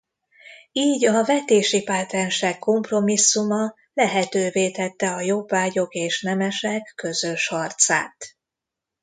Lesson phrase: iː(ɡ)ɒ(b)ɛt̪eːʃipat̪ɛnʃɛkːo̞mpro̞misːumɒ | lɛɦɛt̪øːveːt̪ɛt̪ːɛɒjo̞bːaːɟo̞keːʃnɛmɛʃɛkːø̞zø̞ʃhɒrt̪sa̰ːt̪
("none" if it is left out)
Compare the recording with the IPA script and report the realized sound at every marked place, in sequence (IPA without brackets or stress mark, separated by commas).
ɟ, v